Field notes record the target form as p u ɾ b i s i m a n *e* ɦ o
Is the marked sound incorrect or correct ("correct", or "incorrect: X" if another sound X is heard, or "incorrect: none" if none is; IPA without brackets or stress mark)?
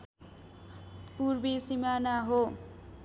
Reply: incorrect: a